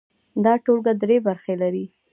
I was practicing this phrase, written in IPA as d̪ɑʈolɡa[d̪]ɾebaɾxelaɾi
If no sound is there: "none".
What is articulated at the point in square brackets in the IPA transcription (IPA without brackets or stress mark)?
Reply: d̪